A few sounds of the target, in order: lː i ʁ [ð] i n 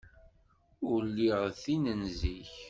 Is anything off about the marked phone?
yes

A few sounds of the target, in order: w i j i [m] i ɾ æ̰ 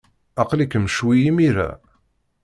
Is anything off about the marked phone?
no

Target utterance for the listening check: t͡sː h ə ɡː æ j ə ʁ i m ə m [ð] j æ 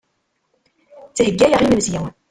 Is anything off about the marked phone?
yes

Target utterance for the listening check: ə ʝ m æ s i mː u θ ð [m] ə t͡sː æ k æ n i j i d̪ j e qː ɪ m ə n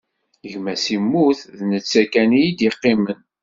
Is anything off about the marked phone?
yes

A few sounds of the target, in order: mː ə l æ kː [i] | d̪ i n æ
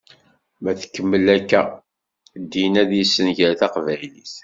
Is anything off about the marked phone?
yes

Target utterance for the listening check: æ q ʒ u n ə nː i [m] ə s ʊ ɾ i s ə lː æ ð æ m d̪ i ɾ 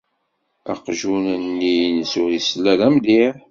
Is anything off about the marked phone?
yes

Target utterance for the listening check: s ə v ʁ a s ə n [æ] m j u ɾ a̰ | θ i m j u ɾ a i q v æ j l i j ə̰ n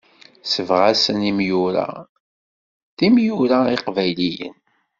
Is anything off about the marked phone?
yes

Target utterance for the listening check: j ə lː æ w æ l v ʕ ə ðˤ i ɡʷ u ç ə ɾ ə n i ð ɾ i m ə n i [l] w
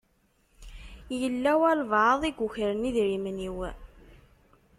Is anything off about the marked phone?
yes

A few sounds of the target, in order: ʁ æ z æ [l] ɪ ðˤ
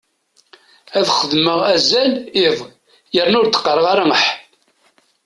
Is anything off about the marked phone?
no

